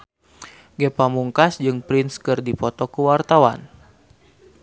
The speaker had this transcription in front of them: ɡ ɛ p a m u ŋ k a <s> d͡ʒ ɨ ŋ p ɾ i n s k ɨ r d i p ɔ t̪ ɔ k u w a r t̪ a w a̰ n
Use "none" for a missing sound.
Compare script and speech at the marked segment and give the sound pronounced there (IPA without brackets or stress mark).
s